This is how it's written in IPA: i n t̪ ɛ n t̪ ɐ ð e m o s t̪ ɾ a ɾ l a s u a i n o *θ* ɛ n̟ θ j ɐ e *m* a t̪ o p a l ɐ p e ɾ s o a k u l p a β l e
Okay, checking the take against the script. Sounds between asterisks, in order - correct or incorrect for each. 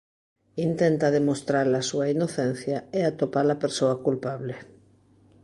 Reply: correct, incorrect: none

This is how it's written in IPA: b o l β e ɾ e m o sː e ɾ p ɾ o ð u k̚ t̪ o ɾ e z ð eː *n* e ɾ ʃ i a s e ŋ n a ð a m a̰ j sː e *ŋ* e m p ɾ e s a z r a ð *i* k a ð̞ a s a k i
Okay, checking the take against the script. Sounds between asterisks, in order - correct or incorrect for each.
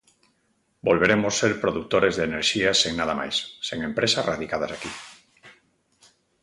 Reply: correct, correct, correct

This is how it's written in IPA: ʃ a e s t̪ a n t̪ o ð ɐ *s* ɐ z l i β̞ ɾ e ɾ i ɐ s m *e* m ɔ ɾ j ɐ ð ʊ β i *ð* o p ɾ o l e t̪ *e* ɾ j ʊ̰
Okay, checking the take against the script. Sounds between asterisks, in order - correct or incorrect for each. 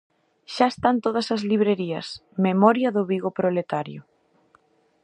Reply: correct, correct, incorrect: ɣ, incorrect: a

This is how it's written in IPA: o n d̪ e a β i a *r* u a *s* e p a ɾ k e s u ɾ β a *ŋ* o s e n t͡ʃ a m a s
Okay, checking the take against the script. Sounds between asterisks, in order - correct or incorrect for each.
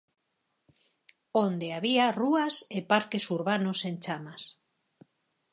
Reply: correct, correct, incorrect: n

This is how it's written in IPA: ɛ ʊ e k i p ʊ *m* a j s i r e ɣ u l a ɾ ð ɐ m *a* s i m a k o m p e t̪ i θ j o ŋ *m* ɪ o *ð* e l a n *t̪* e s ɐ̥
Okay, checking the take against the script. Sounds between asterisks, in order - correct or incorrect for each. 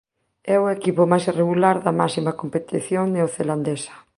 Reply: correct, correct, incorrect: n, incorrect: θ, incorrect: d̪

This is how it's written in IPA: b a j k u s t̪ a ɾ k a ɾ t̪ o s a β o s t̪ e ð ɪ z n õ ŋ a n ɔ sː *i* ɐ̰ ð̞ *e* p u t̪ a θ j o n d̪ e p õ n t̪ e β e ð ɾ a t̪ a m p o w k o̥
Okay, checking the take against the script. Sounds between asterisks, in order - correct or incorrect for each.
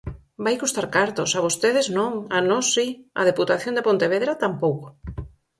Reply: correct, correct

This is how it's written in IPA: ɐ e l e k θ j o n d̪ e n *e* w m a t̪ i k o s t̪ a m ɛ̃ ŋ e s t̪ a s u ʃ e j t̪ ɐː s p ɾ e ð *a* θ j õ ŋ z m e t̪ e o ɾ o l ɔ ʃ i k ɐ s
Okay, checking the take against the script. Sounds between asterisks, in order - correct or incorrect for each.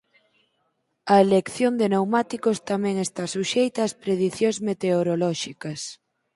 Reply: correct, incorrect: i

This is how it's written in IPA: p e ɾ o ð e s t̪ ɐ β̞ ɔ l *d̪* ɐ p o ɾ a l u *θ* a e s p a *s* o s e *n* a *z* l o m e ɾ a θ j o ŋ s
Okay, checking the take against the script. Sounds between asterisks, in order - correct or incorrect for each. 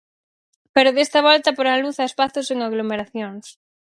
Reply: incorrect: t̪, correct, incorrect: θ, incorrect: ŋ, incorrect: ɣ

